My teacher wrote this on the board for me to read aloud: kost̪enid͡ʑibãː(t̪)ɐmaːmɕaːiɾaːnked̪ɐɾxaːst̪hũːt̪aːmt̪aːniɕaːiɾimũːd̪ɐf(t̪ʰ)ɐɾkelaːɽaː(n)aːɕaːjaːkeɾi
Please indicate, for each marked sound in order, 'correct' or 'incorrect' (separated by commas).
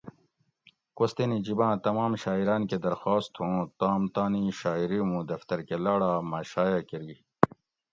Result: correct, incorrect, incorrect